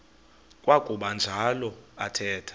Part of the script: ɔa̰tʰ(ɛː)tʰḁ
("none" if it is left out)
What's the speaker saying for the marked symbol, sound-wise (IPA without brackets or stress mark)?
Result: ɛː